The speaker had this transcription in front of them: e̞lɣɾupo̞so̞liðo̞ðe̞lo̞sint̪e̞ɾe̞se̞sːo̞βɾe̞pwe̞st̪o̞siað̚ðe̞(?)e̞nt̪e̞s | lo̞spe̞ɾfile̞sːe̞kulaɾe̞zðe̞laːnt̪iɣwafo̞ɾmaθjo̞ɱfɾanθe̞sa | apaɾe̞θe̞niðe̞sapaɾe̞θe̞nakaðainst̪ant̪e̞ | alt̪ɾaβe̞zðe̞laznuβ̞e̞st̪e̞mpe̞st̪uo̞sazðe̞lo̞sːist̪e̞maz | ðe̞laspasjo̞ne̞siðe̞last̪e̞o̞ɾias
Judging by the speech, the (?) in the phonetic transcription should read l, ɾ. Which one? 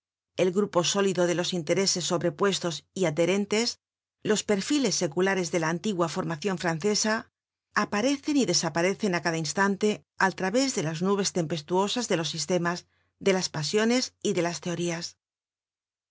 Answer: ɾ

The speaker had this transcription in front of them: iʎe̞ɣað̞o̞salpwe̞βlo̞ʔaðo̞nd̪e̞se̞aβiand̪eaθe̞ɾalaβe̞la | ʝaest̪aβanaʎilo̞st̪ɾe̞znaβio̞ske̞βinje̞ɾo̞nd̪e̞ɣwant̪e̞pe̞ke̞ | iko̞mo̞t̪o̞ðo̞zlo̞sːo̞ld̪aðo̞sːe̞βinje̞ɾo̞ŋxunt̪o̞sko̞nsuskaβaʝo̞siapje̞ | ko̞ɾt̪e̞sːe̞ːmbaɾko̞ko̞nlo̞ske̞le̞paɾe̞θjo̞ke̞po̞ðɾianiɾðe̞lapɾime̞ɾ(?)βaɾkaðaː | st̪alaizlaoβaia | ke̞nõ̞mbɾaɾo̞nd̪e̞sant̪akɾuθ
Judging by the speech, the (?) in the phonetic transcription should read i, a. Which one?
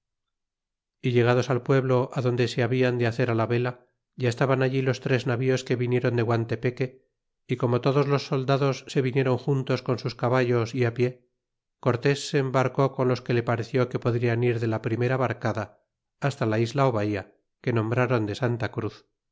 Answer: a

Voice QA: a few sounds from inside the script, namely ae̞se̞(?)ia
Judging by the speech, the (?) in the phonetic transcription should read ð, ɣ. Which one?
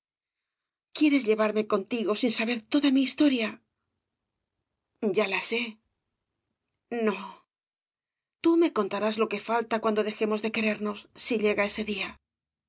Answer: ð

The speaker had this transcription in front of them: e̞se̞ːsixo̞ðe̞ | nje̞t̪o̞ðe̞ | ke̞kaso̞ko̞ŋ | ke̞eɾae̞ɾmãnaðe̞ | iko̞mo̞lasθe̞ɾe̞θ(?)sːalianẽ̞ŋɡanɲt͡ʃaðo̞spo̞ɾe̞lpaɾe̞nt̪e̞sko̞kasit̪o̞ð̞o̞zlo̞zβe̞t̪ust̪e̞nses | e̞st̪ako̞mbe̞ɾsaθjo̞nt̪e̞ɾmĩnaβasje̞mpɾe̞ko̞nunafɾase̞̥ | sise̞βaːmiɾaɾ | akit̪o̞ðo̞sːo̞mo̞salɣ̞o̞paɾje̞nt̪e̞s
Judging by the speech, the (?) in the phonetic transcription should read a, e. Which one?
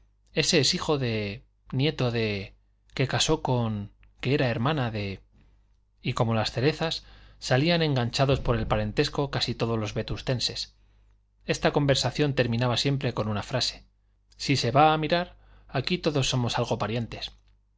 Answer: a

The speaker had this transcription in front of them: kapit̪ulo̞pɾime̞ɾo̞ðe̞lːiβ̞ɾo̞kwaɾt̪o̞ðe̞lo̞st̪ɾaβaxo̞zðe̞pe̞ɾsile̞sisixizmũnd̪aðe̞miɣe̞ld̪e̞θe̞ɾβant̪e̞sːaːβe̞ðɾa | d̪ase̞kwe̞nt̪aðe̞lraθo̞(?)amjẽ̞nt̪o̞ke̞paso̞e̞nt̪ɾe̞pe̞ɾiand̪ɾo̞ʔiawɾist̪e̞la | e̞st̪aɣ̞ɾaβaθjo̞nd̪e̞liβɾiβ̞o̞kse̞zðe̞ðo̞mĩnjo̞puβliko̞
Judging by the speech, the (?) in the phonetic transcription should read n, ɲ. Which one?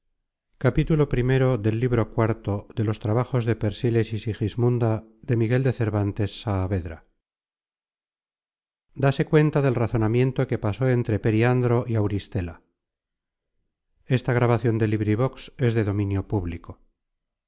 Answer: n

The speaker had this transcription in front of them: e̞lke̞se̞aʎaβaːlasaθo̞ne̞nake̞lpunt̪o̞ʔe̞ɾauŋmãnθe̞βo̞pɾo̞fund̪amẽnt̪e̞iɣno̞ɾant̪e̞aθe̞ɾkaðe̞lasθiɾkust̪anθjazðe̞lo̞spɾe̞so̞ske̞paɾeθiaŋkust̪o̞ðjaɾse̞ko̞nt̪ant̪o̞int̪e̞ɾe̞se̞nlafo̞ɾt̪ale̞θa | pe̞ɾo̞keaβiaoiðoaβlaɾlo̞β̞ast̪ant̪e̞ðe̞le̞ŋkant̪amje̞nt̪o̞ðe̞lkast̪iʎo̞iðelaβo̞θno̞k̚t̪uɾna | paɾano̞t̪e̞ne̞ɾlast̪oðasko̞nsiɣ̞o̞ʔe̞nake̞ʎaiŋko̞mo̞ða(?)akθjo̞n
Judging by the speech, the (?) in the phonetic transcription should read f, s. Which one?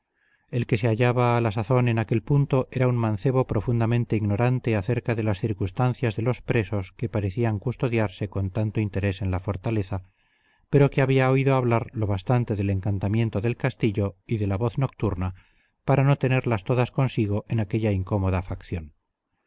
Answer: f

